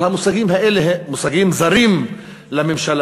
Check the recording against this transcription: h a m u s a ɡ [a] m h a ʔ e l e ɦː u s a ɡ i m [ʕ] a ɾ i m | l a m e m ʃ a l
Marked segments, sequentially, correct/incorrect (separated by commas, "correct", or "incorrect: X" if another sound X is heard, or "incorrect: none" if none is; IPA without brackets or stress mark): incorrect: i, incorrect: z